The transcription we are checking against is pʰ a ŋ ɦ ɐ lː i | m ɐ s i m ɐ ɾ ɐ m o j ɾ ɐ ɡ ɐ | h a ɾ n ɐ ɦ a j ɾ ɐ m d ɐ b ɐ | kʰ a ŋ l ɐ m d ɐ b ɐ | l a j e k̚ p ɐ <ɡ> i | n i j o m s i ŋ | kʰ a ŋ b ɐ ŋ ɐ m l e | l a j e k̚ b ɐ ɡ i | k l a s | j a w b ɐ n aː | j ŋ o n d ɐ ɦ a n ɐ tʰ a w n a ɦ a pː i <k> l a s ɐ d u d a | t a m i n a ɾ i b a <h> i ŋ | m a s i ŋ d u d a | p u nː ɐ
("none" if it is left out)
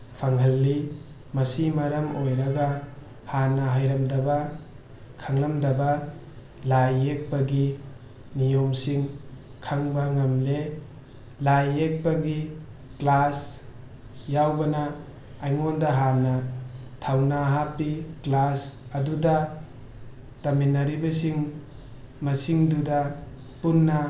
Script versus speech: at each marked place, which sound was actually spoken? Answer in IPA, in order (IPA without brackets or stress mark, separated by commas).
ɡ, k, s